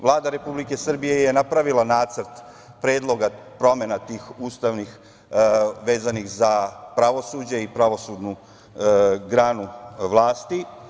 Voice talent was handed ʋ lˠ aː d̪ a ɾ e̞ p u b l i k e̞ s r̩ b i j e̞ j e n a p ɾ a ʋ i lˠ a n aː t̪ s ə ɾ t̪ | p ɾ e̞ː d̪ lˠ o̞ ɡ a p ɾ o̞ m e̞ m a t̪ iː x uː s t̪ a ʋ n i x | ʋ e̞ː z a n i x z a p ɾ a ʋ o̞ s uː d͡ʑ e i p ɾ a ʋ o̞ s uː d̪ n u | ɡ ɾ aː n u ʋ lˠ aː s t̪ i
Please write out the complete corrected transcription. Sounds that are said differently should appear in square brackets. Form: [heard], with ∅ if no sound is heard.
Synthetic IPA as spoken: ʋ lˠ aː d̪ a ɾ e̞ p u b l i k e̞ s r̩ b i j e̞ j e n a p ɾ a ʋ i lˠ a n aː t̪ s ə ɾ t̪ | p ɾ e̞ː d̪ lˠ o̞ ɡ a p ɾ o̞ m e̞ [n] a t̪ iː x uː s t̪ a ʋ n i x | ʋ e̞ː z a n i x z a p ɾ a ʋ o̞ s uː d͡ʑ e i p ɾ a ʋ o̞ s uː d̪ n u | ɡ ɾ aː n u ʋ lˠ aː s t̪ i